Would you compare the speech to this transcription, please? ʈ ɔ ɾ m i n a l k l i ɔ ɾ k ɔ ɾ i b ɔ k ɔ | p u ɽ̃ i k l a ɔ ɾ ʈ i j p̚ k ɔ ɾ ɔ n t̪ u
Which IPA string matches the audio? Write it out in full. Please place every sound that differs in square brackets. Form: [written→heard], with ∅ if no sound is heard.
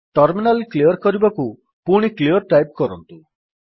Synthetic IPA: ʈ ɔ ɾ m i n a l k l i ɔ ɾ k ɔ ɾ i b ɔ k [ɔ→u] | p u ɽ̃ i k l [a→i] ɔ ɾ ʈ [i→a] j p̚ k ɔ ɾ ɔ n t̪ u